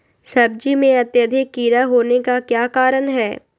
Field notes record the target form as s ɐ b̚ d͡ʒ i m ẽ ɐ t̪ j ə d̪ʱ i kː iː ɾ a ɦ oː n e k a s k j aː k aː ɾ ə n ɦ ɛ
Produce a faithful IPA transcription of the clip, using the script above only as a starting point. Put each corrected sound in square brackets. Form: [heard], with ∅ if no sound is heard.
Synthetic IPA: s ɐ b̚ d͡ʒ i m ẽ ɐ t̪ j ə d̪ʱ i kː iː ɾ a ɦ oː n e k a [∅] k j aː k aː ɾ ə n ɦ [ɛː]